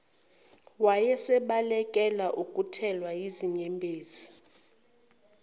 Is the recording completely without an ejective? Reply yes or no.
no